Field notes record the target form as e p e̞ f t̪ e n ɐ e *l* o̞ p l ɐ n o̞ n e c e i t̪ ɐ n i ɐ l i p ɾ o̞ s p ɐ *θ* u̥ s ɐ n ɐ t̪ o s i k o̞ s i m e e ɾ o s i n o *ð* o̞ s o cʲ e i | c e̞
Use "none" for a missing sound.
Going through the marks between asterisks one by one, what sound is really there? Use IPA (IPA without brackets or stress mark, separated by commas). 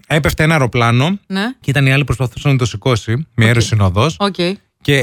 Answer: ɾ, θ, ð